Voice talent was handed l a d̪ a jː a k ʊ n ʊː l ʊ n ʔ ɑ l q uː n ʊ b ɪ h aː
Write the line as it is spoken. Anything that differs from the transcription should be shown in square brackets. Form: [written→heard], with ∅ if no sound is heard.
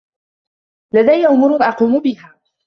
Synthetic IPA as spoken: l a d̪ a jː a [k→ʔ] ʊ [n→m] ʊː [l→ɾ] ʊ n ʔ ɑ [l→∅] q uː [n→m] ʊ b ɪ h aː